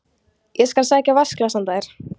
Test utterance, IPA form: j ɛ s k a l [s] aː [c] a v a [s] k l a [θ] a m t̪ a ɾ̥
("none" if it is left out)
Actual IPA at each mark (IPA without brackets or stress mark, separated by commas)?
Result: s, c, s, s